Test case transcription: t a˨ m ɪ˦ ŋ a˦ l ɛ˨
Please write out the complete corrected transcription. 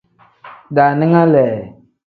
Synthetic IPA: d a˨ n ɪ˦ ŋ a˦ l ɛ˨